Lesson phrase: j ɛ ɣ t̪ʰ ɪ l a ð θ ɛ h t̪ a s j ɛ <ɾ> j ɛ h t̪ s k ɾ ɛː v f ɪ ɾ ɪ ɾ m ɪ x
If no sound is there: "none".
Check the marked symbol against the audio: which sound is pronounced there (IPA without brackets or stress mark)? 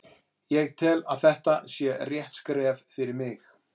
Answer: r